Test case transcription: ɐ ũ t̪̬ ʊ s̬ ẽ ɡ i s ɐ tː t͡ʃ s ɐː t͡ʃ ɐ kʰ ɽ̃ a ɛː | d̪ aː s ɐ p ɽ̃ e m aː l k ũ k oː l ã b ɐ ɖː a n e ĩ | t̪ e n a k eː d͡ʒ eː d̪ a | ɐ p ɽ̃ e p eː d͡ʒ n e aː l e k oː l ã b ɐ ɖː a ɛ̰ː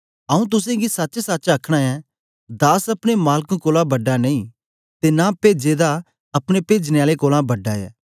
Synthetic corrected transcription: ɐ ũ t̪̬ ʊ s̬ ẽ ɡ i s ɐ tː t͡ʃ s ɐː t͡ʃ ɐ kʰ ɽ̃ a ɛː | d̪ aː s ɐ p ɽ̃ e m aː l k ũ k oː l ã b ɐ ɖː a n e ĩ | t̪ e n a p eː d͡ʒ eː d̪ a | ɐ p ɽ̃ e p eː d͡ʒ n e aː l e k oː l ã b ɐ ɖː a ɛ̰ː